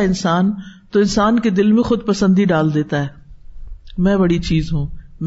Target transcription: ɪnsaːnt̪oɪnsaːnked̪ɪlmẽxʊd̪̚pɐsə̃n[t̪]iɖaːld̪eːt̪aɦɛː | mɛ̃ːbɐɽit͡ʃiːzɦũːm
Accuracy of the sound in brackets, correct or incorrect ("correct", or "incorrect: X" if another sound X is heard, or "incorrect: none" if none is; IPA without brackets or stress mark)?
incorrect: d̪